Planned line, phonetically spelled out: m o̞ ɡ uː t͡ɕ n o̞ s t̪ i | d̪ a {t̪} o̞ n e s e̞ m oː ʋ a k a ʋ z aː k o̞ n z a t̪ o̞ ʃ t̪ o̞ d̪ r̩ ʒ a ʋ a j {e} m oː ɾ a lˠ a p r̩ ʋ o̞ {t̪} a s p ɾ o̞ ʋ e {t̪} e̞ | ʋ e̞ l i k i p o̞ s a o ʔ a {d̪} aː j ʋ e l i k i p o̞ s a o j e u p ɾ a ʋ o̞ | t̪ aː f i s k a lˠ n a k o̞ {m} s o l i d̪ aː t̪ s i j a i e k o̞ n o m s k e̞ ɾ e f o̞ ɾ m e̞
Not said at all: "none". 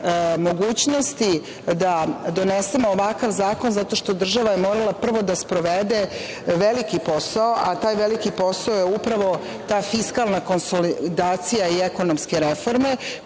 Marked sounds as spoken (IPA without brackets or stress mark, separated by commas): d̪, e, d̪, d̪, t̪, n